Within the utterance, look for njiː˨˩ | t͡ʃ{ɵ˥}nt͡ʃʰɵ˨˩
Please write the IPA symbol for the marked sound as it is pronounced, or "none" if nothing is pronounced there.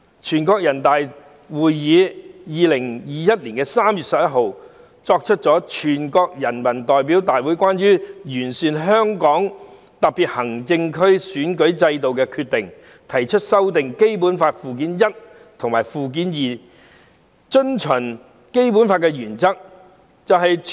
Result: ɵ˥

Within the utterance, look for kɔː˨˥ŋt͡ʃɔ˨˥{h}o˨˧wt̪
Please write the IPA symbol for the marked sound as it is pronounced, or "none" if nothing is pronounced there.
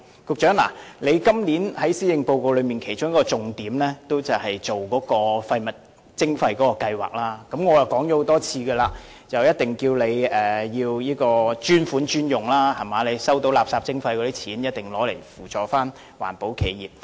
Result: h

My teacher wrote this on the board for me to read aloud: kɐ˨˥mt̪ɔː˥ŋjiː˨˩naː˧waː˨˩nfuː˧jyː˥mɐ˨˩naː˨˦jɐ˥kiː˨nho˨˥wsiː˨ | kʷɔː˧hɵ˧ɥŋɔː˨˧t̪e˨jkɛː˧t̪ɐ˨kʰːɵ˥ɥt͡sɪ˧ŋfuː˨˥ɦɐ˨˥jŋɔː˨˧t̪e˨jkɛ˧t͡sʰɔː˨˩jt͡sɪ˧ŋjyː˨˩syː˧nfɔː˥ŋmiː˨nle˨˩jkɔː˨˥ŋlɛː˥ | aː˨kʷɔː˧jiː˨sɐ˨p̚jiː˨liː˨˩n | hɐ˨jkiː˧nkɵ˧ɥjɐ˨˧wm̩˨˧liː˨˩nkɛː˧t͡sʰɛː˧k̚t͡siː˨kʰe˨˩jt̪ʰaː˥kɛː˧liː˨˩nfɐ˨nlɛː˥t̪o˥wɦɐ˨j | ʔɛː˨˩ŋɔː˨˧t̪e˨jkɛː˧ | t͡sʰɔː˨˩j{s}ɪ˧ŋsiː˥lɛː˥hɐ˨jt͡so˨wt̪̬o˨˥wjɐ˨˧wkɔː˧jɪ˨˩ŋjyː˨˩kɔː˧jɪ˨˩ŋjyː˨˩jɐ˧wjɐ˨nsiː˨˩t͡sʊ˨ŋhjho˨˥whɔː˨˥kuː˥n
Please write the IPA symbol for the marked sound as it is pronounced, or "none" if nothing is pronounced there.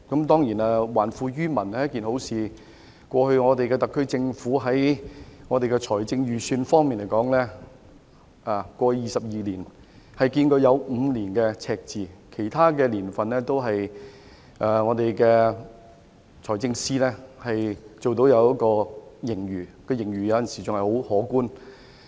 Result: t͡s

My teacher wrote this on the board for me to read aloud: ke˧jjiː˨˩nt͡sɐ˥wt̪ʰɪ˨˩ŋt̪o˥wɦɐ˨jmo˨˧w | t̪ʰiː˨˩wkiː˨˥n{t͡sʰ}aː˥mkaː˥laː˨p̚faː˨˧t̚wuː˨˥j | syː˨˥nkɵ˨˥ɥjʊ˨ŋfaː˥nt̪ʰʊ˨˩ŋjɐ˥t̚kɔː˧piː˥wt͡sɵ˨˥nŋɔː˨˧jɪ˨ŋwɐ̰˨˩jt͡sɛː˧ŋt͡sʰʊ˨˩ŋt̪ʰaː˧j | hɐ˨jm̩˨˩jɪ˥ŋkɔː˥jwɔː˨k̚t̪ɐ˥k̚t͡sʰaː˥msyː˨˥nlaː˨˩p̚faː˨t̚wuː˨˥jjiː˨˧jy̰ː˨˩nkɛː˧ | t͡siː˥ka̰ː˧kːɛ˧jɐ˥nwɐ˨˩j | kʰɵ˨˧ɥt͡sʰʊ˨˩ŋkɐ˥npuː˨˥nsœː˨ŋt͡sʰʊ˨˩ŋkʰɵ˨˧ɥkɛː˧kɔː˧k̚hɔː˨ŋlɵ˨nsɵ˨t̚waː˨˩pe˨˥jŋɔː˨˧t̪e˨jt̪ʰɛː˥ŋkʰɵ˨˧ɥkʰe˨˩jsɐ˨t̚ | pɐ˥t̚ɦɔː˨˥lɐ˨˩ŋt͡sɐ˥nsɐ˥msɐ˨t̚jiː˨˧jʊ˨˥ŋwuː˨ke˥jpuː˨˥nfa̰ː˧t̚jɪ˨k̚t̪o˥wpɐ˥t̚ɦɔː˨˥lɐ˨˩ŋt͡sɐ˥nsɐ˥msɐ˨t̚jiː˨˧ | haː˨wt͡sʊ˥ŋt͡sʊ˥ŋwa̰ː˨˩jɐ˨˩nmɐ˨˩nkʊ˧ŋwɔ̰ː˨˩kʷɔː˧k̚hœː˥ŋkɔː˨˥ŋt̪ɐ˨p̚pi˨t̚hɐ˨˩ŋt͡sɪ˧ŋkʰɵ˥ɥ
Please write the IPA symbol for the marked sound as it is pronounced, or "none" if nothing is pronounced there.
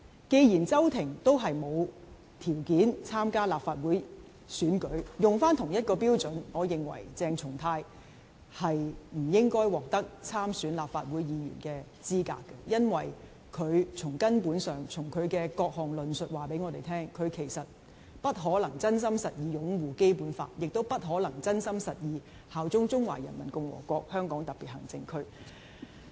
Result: t͡sʰ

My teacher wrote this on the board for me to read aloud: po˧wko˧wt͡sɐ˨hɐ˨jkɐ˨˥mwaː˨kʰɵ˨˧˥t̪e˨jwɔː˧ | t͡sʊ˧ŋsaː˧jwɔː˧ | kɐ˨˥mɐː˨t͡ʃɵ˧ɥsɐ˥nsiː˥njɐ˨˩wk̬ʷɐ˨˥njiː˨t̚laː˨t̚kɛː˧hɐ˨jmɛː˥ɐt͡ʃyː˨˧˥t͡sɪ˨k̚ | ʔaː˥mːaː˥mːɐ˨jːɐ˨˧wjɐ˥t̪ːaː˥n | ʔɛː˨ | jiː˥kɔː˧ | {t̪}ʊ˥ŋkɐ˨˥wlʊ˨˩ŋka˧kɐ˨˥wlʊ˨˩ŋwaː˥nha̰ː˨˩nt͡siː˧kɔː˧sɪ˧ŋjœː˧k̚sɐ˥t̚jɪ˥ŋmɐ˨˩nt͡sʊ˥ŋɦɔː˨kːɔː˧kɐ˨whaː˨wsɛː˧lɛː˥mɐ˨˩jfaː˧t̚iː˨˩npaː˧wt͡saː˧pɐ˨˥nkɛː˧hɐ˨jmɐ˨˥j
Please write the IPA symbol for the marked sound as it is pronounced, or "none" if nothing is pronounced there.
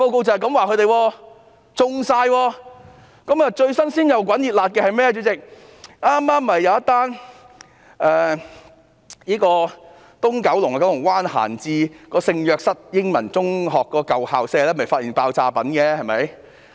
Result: t̪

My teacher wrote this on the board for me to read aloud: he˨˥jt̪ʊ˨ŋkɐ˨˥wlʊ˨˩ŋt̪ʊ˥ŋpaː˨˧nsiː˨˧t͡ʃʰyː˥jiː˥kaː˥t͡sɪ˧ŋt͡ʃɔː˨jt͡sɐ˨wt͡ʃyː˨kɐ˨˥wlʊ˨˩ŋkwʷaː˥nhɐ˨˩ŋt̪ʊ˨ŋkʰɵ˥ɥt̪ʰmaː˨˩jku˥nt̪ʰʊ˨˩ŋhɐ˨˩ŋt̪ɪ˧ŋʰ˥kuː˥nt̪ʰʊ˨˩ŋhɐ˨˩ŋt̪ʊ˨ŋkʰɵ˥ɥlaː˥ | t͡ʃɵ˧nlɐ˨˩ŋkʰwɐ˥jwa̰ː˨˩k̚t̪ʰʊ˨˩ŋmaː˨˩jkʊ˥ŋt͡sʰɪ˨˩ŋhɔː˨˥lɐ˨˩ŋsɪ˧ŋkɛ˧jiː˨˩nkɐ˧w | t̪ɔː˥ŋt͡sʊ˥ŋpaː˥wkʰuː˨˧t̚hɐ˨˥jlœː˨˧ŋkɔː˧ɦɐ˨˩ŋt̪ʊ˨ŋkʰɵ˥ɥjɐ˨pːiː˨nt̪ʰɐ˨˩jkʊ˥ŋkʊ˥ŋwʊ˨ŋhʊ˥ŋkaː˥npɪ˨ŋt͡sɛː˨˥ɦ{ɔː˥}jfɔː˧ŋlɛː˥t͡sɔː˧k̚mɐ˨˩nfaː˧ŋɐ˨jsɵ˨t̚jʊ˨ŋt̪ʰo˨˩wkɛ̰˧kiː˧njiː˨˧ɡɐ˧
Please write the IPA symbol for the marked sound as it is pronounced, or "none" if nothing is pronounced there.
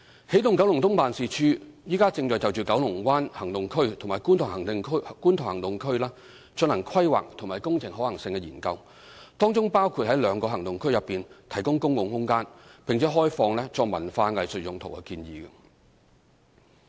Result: ɔː˥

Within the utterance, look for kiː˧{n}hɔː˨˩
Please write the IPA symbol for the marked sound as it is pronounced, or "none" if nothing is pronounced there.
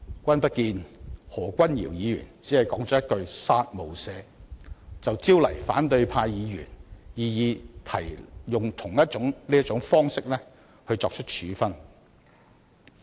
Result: n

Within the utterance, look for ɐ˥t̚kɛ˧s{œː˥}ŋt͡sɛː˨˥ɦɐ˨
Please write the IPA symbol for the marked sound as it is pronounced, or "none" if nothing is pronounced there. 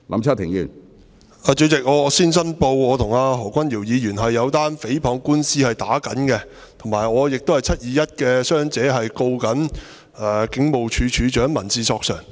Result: œː˥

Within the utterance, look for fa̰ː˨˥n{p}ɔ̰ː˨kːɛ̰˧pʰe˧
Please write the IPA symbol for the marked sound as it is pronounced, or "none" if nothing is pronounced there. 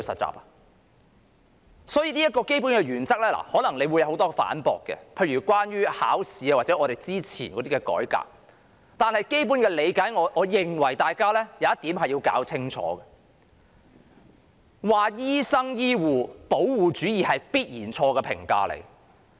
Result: p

